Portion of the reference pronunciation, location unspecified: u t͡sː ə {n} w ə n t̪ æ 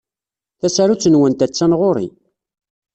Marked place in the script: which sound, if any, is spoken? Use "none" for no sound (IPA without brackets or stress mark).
n